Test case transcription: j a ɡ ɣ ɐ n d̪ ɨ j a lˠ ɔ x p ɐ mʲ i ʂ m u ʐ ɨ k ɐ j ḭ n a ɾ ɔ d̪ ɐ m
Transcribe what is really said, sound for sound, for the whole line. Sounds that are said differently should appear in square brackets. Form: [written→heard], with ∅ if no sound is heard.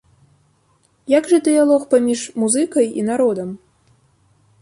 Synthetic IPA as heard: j a ɡ [ɣ→ʐ] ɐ [n→∅] d̪ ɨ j a lˠ ɔ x p [ɐ→a] mʲ i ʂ m u [ʐ→z] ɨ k ɐ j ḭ n a ɾ ɔ d̪ ɐ m

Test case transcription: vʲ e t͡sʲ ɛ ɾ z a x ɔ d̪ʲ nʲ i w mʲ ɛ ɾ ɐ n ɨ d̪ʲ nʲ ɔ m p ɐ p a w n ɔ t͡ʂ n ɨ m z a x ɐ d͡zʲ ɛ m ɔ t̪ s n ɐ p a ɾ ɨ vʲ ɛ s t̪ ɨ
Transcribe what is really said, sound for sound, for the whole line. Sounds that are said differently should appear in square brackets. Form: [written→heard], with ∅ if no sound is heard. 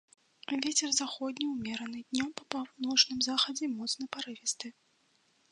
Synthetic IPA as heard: vʲ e t͡sʲ ɛ [ɾ→r] z a x ɔ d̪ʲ nʲ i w mʲ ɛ ɾ ɐ n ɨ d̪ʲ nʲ ɔ m p ɐ p a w n ɔ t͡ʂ n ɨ m z a x ɐ d͡zʲ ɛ m ɔ t̪ s n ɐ p a ɾ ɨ vʲ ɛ s t̪ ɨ

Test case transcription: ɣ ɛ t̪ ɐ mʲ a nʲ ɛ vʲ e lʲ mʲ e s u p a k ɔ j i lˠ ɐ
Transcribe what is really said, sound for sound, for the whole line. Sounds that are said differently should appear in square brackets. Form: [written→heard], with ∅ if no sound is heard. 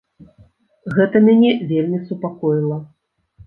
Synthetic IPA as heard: ɣ ɛ t̪ ɐ mʲ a nʲ ɛ vʲ e lʲ mʲ [e→i] s u p a k ɔ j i lˠ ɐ

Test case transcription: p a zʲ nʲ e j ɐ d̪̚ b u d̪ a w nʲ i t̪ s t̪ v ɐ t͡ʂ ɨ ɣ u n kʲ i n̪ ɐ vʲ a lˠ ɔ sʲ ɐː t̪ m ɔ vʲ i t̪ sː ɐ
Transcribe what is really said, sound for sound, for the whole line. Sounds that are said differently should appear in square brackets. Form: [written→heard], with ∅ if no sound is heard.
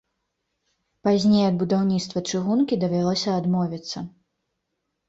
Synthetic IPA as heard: p a zʲ nʲ e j ɐ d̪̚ b u d̪ a w nʲ i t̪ s t̪ v ɐ t͡ʂ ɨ ɣ u n kʲ i [n̪→d̪] ɐ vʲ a lˠ ɔ sʲ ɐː [t̪→d̪] m ɔ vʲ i t̪ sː ɐ

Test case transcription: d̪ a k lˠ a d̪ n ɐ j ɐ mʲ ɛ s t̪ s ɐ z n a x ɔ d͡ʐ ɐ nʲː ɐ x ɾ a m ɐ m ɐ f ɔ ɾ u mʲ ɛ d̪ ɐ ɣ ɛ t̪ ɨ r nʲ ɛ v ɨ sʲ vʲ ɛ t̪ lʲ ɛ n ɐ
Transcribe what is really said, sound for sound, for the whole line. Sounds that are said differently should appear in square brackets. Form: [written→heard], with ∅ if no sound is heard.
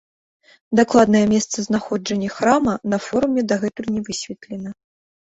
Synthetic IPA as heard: d̪ a k lˠ a d̪ n ɐ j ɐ mʲ ɛ s t̪ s ɐ z n a x ɔ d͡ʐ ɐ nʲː ɐ x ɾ a m ɐ [m→n] ɐ f ɔ ɾ u mʲ ɛ d̪ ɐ ɣ ɛ t̪ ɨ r nʲ ɛ v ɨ sʲ vʲ ɛ t̪ lʲ ɛ n ɐ

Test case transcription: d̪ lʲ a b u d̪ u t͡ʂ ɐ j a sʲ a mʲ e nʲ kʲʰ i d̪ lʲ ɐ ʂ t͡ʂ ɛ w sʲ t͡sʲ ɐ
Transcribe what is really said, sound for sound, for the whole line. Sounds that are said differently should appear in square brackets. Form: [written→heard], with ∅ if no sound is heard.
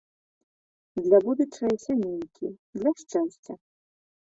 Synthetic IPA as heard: d̪ lʲ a b u d̪ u t͡ʂ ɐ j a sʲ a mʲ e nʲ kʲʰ i d̪ lʲ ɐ ʂ t͡ʂ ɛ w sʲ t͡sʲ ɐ

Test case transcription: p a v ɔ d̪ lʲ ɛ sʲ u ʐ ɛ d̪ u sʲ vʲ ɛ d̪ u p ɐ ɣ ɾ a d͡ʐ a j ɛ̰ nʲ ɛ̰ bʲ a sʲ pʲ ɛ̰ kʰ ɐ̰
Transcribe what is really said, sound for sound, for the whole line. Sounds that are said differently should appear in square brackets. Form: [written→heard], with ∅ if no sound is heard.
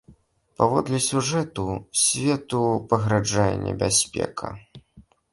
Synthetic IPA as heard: p a v ɔ d̪ lʲ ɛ sʲ u ʐ ɛ [d̪→t̪] u sʲ vʲ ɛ [d̪→t̪] u p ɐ ɣ ɾ a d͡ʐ a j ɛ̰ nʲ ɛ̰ bʲ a sʲ pʲ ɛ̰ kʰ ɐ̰

